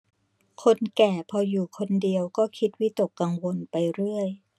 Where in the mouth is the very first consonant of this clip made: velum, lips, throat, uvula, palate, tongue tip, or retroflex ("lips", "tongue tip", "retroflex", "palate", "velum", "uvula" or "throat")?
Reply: velum